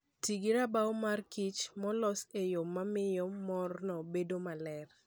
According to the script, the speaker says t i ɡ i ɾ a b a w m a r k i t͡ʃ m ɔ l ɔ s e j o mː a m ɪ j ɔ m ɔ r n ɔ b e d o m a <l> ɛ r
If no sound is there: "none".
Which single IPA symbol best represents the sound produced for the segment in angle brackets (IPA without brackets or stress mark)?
l